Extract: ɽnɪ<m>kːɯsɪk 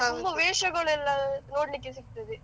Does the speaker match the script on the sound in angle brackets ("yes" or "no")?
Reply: no